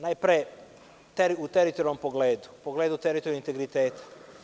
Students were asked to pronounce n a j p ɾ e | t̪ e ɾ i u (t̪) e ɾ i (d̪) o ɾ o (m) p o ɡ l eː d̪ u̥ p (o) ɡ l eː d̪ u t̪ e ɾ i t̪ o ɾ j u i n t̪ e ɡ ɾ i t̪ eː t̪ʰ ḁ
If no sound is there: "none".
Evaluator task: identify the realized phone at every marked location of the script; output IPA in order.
t̪, t̪, m, o

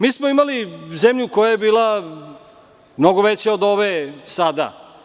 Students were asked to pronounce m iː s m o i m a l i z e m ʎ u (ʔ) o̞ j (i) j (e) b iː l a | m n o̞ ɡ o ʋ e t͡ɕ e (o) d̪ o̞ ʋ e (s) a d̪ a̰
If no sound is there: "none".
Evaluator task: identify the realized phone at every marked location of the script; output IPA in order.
k, a, e, o, s

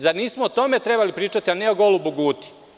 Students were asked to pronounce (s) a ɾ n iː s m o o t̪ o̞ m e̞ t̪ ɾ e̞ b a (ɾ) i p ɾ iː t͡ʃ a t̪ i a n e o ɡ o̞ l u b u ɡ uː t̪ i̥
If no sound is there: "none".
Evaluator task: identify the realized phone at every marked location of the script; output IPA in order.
z, l

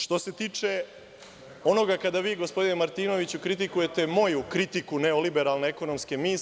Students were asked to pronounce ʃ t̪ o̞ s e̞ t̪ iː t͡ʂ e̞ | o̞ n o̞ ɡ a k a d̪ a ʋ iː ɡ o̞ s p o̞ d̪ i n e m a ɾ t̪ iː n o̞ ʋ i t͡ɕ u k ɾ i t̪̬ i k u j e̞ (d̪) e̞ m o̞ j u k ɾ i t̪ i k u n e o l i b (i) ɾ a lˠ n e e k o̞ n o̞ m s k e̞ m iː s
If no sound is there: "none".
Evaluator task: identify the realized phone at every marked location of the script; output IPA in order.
t̪, e

